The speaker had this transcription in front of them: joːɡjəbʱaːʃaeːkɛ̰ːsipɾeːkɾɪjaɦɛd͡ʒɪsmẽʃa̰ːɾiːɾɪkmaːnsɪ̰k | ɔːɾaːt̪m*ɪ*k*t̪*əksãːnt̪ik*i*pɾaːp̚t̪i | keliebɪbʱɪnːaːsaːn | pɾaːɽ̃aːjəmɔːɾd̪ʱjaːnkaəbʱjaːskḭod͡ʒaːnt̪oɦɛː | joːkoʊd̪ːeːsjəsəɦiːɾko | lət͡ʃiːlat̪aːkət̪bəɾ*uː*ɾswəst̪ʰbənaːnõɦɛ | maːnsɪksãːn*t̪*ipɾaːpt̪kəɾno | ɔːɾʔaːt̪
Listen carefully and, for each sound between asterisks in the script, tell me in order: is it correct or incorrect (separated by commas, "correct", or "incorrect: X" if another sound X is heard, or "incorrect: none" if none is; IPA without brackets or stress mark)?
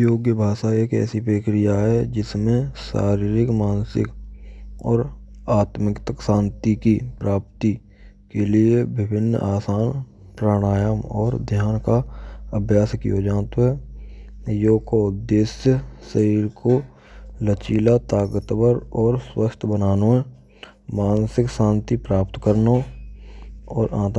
correct, correct, correct, incorrect: ɔː, correct